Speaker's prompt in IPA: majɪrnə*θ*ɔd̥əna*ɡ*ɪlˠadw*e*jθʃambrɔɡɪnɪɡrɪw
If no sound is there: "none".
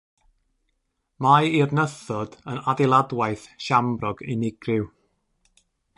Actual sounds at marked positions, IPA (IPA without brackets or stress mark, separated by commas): θ, d, a